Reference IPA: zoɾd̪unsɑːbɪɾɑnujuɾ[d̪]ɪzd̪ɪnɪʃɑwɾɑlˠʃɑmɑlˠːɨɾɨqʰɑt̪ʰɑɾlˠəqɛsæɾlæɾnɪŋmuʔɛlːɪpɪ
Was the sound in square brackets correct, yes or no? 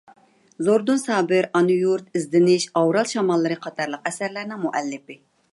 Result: no